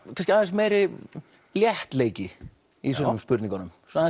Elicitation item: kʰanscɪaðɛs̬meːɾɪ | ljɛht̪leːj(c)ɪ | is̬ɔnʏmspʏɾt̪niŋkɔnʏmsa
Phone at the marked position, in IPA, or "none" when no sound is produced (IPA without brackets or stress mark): c